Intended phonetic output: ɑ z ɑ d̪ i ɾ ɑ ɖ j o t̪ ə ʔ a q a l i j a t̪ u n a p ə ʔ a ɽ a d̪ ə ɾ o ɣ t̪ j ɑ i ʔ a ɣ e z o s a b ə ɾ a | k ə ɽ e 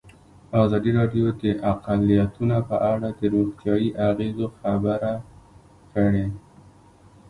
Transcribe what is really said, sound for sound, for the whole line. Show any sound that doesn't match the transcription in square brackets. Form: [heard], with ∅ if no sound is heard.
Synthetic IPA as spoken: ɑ z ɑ d̪ i ɾ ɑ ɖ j o [d̪] ə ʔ a q a l i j a t̪ u n a p ə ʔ a ɽ a d̪ ə ɾ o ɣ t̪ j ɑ i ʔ a ɣ e z o [x] a b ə ɾ a | k ə ɽ e